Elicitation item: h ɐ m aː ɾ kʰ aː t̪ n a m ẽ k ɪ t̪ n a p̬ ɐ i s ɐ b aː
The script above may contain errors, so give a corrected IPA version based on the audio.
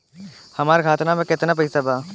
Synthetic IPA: h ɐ m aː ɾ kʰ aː t̪ n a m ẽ k ɪ t̪ n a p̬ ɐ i s a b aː